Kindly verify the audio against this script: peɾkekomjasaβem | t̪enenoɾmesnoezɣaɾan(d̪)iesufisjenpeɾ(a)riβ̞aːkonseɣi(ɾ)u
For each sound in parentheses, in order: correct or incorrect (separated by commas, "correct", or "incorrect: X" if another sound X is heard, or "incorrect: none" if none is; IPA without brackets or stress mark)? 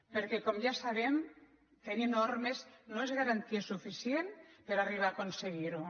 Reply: incorrect: t̪, correct, correct